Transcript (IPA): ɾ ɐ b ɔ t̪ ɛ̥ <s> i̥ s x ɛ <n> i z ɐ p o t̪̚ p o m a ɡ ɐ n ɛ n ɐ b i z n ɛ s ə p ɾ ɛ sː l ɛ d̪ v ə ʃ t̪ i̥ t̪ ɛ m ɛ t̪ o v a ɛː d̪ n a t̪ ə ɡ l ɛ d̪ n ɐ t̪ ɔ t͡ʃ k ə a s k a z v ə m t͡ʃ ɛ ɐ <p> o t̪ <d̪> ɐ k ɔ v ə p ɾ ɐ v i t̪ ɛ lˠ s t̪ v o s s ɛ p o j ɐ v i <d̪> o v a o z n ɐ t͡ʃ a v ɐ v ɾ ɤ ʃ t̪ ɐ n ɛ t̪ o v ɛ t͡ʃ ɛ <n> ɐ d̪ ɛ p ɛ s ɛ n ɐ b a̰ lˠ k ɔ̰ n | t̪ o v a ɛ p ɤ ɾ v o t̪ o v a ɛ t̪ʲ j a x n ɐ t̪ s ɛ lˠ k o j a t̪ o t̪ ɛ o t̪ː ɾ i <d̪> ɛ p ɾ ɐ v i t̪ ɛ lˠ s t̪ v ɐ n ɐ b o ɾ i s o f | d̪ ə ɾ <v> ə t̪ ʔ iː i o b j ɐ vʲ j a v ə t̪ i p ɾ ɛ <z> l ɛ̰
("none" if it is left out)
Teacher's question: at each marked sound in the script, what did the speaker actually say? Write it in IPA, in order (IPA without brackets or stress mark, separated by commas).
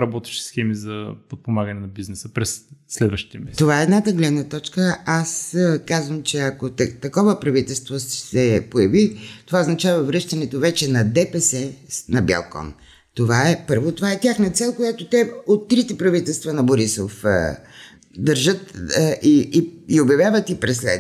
ʃ, m, k, t̪, t̪, n, t̪, ʒ, s